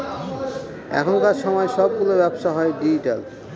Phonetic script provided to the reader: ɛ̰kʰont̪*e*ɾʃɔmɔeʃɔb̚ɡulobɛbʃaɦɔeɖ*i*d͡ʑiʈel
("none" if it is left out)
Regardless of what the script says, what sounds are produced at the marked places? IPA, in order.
a, i

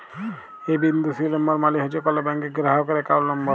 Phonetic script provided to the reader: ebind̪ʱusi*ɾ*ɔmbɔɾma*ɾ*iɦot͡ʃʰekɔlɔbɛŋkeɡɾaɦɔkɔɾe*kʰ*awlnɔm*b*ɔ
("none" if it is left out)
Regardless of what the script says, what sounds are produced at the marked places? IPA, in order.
l, l, k, b

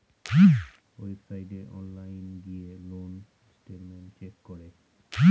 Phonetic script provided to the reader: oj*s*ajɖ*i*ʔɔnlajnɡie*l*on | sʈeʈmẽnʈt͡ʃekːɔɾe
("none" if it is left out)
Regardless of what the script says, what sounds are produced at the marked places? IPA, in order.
s, e, l

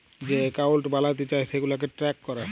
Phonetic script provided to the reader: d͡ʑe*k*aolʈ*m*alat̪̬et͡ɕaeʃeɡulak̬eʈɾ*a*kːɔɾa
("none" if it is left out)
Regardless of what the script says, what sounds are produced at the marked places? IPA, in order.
k, b, ɛ

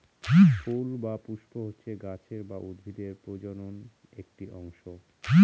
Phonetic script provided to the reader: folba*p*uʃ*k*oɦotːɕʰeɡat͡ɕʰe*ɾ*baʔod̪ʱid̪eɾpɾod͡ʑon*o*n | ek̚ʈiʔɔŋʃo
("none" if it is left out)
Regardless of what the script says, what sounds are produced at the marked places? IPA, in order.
p, p, ɾ, o

